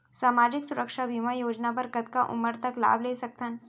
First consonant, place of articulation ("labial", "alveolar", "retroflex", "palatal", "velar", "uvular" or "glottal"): alveolar